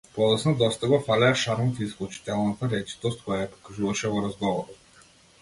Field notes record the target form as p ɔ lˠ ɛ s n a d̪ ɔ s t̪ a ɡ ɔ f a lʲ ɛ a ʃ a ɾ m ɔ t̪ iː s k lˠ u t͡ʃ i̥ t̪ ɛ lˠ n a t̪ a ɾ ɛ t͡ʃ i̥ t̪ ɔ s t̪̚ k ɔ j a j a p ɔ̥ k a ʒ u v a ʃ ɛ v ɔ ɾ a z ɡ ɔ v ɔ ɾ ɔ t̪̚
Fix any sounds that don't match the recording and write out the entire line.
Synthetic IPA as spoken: p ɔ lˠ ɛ s n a d̪ ɔ s t̪ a ɡ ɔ f a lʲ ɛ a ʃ a ɾ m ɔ t̪ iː s k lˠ u t͡ʃ i̥ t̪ ɛ lˠ n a t̪ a ɾ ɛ t͡ʃ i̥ t̪ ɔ s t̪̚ k ɔ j a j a p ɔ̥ k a ʒ u v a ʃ ɛ v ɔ ɾ a z ɡ ɔ v ɔ ɾ ɔ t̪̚